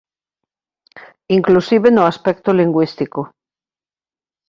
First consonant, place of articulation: velar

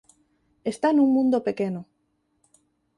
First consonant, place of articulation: alveolar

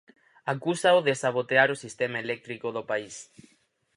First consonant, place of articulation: velar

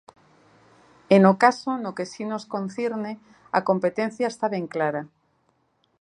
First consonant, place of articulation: alveolar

